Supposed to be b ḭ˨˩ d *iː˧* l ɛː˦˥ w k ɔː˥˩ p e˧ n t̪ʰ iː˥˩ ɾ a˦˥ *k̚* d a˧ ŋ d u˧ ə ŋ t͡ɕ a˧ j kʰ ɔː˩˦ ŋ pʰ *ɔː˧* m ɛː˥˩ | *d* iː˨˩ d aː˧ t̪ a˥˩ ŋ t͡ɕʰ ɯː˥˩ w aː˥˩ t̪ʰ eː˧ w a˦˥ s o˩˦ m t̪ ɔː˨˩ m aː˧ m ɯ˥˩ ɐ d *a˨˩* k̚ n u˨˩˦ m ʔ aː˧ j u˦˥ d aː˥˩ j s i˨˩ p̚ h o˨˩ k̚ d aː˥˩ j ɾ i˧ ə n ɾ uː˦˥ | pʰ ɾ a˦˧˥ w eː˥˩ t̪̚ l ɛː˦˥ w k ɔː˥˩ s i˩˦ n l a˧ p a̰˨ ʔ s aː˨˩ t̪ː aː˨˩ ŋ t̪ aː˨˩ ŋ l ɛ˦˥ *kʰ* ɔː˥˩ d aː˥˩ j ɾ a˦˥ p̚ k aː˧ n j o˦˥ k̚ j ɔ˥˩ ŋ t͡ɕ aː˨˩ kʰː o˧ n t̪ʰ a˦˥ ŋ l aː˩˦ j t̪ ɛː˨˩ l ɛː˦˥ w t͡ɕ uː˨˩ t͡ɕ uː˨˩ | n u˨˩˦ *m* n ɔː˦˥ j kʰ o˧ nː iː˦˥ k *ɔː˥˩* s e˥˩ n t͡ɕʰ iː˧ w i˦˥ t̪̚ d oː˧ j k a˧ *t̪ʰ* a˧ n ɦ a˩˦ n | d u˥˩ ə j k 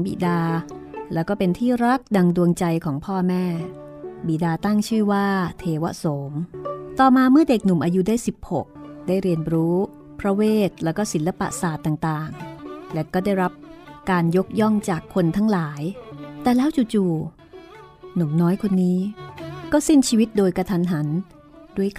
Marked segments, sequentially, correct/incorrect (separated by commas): incorrect, correct, incorrect, incorrect, incorrect, incorrect, correct, correct, correct